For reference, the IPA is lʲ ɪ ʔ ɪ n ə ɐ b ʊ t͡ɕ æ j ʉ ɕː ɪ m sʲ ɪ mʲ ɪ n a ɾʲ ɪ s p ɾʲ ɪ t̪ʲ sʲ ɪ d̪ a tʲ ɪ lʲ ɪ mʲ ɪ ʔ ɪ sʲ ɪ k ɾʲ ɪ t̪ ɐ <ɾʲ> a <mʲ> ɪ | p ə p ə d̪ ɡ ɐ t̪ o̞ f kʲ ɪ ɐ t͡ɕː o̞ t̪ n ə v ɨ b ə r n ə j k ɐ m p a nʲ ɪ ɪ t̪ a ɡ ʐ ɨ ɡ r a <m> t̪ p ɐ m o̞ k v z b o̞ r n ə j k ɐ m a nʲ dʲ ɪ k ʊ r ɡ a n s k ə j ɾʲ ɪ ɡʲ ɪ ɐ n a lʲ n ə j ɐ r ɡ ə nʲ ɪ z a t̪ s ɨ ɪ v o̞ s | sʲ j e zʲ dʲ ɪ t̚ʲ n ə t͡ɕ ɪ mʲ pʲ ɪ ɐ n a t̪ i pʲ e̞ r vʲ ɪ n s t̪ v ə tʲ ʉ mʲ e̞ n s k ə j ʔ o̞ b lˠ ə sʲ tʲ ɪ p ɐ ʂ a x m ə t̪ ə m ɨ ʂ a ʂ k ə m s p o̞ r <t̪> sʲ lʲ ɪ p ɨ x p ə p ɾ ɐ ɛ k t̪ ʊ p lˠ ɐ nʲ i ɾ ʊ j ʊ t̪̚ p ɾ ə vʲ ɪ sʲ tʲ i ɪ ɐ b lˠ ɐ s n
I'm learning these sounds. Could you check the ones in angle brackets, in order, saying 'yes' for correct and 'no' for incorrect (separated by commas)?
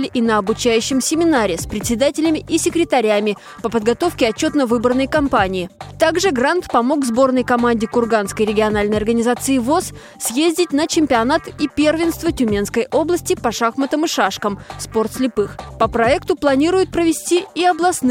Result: yes, yes, no, yes